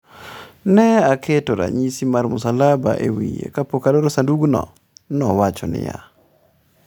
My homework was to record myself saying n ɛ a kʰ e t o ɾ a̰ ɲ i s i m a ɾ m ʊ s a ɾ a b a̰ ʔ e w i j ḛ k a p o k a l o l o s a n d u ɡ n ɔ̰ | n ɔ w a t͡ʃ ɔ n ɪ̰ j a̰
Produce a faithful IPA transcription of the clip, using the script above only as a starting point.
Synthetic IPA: n ɛ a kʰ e t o ɾ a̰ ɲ i s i m a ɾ m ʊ s a l a b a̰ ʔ e w i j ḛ k a p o k a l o ɾ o s a n d u ɡ n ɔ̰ | n ɔ w a t͡ʃ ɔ n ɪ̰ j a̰